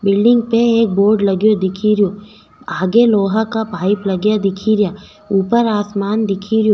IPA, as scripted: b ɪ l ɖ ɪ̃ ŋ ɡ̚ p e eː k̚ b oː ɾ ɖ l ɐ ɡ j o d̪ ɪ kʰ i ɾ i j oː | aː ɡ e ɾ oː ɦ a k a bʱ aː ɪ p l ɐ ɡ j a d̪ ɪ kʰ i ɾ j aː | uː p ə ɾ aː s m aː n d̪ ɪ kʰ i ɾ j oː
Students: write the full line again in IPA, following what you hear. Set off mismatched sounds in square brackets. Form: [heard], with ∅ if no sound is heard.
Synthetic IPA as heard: b ɪ l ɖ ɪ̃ ŋ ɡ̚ p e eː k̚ b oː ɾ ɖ l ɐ ɡ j o d̪ ɪ kʰ i ɾ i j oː | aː ɡ e [l] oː ɦ a k a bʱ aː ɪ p l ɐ ɡ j a d̪ ɪ kʰ i ɾ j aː | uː p ə ɾ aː s m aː n d̪ ɪ kʰ i ɾ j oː